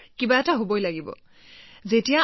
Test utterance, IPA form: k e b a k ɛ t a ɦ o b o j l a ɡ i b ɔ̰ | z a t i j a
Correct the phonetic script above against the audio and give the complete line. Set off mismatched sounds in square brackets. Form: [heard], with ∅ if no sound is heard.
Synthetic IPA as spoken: k [i] b a [∅] ɛ t a ɦ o b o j l a ɡ i b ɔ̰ | z [e] t i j a